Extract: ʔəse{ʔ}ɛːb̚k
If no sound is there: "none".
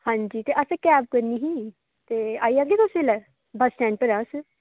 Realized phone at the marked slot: k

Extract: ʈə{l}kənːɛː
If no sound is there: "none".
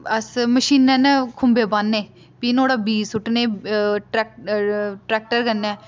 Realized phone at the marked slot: ɾ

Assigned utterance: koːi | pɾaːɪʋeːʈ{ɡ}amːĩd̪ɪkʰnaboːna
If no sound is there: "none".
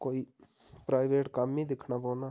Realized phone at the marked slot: k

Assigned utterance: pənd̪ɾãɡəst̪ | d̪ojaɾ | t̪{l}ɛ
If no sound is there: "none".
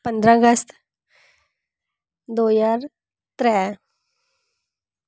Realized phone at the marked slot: ɾ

